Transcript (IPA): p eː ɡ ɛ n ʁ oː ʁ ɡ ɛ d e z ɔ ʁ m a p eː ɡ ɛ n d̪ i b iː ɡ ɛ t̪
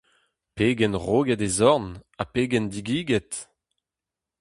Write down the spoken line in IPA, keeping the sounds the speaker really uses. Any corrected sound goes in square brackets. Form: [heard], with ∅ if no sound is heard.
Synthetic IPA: p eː ɡ ɛ n ʁ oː [∅] ɡ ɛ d e z ɔ ʁ [n] a p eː ɡ ɛ n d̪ i [ɡ] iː ɡ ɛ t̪